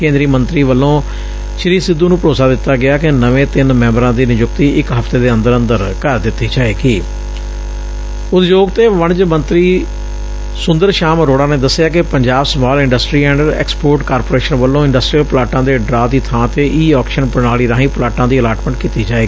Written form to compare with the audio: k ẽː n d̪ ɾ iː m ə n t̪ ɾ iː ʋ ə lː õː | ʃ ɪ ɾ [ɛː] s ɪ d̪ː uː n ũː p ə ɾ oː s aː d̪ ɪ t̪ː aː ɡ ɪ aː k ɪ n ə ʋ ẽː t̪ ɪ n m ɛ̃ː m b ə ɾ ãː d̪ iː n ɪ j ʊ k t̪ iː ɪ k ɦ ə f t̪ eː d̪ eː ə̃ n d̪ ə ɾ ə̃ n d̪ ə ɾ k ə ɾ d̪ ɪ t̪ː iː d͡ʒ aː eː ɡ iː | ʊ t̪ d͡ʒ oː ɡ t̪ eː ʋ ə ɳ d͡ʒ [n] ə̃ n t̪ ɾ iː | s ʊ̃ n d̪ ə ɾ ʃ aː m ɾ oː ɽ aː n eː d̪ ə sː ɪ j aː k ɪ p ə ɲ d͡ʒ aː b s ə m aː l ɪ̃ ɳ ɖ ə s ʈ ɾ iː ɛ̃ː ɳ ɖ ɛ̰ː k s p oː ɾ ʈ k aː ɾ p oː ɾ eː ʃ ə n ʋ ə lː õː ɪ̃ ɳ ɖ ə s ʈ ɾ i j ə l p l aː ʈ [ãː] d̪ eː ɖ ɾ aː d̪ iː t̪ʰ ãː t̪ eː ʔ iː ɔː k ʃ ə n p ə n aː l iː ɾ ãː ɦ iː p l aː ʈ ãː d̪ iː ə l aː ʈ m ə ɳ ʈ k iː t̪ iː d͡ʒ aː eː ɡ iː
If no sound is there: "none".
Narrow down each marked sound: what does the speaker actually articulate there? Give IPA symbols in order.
iː, m, ãː

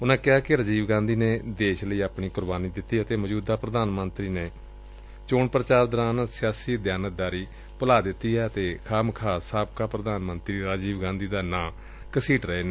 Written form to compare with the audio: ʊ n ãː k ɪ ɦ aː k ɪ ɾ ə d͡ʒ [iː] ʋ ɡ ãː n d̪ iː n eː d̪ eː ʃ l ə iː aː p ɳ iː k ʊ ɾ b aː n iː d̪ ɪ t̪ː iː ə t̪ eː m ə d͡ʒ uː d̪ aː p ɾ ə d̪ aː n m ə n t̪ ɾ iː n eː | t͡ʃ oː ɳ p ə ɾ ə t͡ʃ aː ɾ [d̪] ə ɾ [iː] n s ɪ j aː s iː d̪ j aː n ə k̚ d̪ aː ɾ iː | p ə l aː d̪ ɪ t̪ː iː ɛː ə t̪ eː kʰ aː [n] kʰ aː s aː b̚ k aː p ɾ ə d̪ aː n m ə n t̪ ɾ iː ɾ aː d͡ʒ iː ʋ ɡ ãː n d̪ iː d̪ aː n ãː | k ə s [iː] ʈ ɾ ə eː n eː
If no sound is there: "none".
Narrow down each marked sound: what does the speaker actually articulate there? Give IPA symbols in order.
iː, d̪, aː, m, iː

